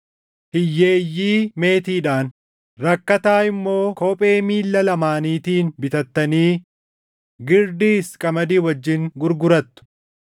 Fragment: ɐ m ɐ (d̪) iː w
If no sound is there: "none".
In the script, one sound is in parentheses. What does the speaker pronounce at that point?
d̪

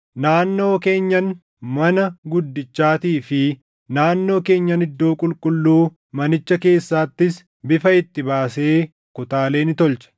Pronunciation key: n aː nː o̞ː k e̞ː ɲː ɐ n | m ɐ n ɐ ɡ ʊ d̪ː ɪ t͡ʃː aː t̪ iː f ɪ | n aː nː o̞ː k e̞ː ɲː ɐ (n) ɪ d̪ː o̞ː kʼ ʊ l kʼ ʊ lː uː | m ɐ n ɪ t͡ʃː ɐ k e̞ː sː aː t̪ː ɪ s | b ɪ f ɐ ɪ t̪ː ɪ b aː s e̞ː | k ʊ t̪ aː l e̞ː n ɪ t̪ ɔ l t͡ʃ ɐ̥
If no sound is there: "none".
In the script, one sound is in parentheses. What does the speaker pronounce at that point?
n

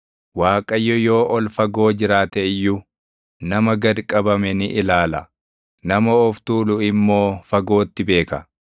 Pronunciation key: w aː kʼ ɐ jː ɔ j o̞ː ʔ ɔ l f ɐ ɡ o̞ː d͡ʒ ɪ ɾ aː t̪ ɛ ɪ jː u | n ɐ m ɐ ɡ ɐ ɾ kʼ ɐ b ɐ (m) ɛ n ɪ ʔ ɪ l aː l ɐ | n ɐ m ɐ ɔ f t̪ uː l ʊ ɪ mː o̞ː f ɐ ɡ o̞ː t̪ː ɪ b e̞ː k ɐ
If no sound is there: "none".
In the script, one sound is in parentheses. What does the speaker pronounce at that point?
m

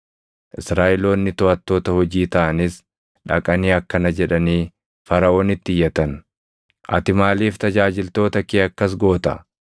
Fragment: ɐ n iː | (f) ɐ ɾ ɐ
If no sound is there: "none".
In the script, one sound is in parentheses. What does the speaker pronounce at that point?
f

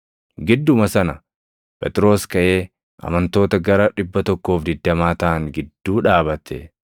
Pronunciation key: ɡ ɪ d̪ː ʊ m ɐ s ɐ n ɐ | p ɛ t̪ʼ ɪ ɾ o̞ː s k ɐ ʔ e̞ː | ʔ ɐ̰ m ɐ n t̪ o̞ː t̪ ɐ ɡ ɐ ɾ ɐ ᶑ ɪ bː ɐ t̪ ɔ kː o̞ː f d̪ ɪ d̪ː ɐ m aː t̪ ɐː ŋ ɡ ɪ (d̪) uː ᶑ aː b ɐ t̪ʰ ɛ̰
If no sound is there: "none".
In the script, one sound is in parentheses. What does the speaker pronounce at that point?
d̪ː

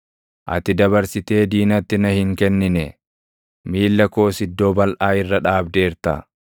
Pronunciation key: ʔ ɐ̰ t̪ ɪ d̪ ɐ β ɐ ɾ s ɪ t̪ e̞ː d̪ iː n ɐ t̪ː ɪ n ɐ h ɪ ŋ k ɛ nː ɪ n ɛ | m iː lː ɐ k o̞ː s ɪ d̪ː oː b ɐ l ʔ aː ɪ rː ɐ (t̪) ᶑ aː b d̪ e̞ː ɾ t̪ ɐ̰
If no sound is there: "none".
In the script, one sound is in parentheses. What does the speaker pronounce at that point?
none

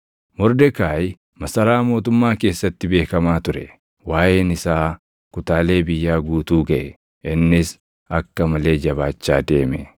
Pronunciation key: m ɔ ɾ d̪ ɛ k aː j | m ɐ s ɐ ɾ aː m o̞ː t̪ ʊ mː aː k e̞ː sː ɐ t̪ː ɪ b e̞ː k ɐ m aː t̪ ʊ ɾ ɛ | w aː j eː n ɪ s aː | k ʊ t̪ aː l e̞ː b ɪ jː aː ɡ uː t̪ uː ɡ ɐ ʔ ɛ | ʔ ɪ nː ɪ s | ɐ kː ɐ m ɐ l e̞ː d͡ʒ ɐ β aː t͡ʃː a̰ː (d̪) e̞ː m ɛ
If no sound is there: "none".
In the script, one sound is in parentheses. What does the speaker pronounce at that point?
d̪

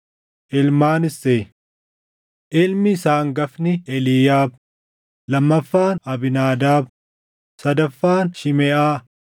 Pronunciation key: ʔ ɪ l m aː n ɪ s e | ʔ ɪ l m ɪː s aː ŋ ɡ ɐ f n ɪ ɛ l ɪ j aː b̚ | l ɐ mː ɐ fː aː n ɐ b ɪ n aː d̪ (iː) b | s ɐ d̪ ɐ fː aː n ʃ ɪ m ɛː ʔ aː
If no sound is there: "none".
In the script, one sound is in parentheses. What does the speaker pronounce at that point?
aː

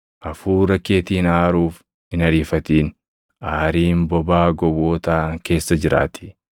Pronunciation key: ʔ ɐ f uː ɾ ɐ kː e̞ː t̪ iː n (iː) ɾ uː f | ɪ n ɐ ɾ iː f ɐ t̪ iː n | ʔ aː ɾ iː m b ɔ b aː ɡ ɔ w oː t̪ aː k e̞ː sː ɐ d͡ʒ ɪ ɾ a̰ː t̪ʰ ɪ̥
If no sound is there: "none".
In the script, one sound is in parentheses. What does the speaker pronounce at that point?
aː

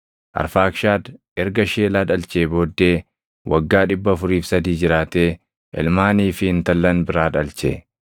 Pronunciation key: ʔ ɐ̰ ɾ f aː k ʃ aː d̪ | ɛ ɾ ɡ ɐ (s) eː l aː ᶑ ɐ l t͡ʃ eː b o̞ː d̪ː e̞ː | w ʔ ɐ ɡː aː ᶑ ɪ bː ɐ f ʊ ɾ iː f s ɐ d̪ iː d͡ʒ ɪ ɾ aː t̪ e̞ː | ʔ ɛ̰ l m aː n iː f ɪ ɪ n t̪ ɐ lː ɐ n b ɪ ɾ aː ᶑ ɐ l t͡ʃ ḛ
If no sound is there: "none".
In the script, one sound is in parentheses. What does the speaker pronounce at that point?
ʃ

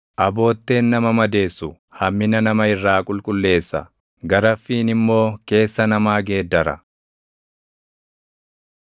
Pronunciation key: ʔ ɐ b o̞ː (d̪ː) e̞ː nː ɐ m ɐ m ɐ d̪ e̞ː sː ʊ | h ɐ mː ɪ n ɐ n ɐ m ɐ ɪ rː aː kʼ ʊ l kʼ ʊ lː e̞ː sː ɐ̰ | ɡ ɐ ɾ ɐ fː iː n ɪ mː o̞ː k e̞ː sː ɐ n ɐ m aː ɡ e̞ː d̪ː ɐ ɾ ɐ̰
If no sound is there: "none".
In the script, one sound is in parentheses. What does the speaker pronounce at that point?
t̪ː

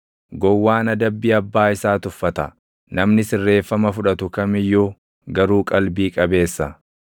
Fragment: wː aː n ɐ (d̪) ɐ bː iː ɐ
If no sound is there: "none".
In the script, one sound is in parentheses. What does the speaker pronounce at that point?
d̪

